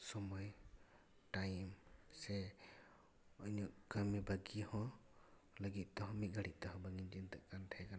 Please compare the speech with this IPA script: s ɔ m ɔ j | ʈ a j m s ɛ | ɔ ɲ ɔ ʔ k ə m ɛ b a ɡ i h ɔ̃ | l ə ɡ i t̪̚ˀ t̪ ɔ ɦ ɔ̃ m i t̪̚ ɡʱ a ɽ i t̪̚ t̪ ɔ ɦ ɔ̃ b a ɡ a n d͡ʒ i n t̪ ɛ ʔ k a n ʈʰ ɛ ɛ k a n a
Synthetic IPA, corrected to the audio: s ɔ m ɔ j | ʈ a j m s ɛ | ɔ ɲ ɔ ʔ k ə m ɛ b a ɡ i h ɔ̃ | l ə ɡ i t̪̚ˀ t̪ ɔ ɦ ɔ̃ m i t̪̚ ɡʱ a ɽ i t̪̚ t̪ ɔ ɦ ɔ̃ b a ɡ i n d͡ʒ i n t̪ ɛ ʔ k a n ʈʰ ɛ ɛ k a n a